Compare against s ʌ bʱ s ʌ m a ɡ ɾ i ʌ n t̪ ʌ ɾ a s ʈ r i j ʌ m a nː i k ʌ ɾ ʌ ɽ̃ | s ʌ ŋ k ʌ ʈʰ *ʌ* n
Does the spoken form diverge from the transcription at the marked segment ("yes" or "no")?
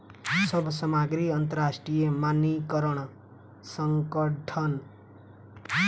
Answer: no